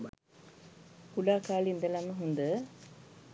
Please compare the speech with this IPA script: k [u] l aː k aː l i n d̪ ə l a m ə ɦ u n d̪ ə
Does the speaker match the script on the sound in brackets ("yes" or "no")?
yes